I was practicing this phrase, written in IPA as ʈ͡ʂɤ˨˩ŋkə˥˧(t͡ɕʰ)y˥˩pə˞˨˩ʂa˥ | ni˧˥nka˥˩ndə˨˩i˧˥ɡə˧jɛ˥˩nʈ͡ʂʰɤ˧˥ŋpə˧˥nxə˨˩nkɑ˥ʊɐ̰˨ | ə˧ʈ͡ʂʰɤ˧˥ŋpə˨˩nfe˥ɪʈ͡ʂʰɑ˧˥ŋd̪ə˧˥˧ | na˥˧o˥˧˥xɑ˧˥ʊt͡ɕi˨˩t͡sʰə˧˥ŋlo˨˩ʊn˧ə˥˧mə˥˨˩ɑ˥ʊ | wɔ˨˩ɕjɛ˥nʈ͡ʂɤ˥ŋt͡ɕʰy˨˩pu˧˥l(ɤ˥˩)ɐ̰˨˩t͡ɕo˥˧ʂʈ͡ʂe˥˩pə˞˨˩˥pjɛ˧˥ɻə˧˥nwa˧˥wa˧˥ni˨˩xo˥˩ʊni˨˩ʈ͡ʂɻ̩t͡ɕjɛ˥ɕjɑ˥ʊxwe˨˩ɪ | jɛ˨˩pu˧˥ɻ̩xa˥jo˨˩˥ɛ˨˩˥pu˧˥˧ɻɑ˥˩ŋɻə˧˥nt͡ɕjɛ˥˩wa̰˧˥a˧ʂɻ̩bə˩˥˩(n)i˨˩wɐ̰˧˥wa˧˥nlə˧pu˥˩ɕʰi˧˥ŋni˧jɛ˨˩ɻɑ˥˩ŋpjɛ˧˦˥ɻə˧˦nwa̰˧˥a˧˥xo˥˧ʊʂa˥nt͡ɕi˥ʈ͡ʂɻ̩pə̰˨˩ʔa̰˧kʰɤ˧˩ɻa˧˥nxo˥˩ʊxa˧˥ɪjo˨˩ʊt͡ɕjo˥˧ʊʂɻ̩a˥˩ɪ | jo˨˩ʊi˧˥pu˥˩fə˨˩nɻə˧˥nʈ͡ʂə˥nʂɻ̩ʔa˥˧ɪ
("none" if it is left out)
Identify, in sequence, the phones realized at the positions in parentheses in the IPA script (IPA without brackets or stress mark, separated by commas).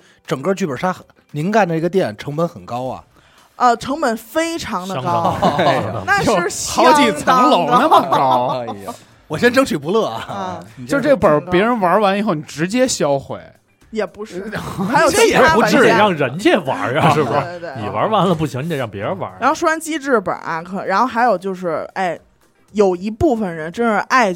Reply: t͡ɕ, ɤ˥˩, n